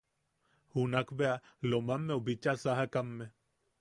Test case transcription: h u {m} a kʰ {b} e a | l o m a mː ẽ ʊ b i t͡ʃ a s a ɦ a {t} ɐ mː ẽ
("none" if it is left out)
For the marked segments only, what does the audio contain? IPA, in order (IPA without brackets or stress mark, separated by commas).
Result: n, b, k